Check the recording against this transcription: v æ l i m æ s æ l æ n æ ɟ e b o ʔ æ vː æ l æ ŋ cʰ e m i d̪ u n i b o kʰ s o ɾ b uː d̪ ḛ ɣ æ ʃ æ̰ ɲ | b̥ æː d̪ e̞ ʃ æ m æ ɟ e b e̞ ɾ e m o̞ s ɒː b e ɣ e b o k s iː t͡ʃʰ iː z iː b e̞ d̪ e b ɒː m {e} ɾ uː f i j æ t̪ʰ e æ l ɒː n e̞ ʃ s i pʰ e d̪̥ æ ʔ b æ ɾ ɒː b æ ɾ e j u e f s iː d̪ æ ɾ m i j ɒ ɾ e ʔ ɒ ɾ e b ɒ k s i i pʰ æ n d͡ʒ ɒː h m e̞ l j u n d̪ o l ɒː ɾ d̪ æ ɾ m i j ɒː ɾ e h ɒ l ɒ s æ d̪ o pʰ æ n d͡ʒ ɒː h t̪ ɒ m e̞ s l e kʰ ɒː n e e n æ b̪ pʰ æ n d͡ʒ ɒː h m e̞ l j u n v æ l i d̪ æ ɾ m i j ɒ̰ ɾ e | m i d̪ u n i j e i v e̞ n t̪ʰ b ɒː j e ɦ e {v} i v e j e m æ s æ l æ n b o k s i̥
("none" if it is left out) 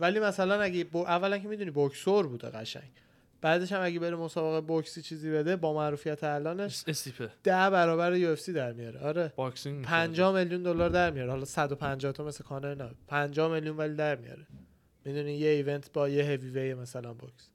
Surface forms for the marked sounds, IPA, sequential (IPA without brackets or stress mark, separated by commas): æ, v